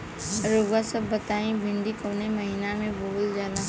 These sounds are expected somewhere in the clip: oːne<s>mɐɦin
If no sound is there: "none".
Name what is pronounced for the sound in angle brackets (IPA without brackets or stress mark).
none